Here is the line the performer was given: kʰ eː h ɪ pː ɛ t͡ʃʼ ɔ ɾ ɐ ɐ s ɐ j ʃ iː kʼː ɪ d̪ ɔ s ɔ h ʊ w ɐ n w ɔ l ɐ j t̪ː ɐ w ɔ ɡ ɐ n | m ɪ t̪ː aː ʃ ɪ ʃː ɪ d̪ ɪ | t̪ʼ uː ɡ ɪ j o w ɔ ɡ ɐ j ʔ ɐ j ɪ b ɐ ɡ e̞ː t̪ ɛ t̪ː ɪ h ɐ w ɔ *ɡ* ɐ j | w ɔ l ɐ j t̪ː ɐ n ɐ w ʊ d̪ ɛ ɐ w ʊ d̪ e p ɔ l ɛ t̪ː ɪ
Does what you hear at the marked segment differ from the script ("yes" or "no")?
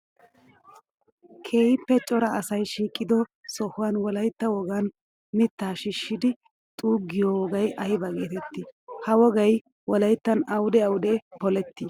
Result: no